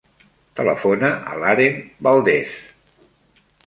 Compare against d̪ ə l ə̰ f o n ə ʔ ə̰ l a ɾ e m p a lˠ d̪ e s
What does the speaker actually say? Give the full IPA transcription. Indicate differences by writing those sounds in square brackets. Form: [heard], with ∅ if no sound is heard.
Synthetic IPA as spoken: [t̪] ə l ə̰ f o n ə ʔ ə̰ l a ɾ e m [b] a lˠ d̪ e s